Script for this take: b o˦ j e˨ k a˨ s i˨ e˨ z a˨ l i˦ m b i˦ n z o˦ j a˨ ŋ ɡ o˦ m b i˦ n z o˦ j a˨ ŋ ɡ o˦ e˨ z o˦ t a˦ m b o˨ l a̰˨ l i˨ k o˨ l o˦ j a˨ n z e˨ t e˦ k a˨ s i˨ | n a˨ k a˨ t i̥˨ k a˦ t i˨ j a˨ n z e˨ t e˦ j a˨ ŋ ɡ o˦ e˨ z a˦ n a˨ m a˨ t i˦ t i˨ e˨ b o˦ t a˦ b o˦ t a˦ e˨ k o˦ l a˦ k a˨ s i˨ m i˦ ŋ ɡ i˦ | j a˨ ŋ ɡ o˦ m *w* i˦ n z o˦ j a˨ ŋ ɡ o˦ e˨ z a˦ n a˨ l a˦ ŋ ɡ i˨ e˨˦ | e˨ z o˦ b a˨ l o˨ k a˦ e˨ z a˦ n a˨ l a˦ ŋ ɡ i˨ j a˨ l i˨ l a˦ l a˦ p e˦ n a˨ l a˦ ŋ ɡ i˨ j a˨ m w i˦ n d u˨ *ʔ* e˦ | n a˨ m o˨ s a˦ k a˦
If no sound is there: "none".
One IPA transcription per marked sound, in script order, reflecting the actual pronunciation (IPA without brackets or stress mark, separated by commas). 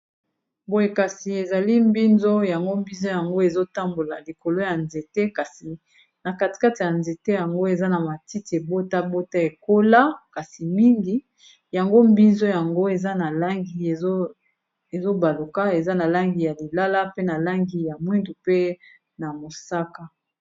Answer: b, p